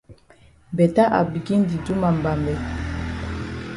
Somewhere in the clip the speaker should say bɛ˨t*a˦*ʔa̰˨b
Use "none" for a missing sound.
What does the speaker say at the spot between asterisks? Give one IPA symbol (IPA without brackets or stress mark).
a˦